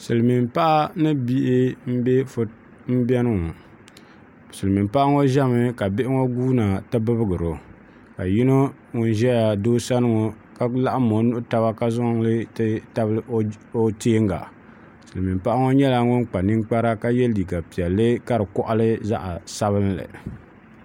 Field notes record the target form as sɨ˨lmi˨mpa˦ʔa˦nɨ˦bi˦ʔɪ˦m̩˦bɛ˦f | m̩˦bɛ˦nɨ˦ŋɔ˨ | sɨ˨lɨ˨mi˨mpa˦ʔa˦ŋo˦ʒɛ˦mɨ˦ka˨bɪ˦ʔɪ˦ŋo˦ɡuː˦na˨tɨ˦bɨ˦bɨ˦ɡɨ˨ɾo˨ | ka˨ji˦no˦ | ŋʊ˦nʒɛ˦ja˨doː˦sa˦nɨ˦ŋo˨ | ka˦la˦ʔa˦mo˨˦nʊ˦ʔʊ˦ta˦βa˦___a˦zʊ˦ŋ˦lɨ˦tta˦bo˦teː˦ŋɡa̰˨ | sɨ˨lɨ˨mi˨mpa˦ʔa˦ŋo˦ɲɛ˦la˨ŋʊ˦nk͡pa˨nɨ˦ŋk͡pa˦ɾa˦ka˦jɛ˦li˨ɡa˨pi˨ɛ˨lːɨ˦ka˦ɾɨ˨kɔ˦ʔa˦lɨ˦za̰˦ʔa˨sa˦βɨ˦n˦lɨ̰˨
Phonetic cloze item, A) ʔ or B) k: B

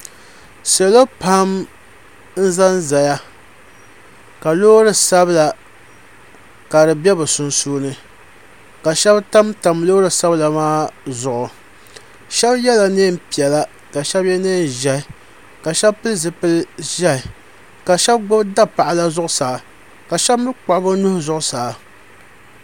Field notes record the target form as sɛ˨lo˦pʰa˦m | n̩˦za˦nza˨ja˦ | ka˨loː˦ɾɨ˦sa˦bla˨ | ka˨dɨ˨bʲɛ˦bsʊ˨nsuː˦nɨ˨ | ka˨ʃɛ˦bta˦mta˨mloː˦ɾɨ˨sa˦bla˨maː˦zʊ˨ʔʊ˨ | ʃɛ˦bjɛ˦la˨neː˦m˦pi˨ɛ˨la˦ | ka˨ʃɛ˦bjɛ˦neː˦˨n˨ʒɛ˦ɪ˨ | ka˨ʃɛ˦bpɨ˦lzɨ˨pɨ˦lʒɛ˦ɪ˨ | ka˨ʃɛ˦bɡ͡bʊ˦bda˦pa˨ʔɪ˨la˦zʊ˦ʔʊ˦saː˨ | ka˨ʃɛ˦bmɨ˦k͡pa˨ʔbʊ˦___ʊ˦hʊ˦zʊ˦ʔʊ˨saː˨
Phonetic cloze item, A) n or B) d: A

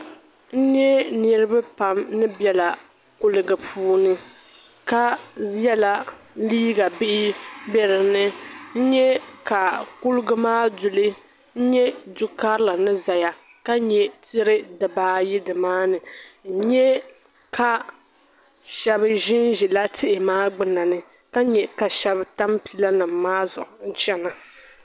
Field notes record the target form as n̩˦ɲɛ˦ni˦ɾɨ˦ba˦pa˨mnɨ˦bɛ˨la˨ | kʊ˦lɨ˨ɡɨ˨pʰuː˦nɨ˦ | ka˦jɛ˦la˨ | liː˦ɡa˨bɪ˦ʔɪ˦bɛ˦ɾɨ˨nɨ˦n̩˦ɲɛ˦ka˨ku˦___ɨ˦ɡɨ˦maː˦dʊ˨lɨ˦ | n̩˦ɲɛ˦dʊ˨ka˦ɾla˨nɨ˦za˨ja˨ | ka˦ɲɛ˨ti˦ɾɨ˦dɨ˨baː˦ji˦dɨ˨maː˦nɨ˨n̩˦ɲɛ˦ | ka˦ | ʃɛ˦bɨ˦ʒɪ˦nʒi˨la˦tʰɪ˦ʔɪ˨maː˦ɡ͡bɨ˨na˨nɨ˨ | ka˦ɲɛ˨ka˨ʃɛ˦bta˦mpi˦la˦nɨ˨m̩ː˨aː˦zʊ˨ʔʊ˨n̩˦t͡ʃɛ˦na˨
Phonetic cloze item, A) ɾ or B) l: B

